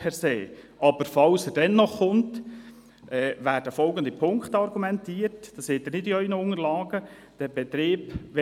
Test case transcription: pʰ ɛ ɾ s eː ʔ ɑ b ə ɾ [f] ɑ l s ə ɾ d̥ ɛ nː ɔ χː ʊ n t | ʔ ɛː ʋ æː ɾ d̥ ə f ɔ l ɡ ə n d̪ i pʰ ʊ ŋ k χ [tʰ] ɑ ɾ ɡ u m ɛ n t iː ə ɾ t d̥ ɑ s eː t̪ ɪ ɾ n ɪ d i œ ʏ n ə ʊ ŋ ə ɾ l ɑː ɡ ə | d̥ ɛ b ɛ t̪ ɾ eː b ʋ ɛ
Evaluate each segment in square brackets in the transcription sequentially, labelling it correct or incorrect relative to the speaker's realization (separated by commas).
correct, incorrect